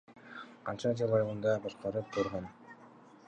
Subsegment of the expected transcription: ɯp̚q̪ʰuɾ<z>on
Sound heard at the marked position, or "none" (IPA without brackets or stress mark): ʁ